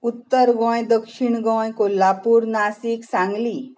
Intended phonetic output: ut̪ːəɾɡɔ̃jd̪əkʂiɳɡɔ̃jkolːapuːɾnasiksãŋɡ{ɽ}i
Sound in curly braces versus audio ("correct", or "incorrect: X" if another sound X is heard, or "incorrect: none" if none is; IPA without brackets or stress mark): incorrect: l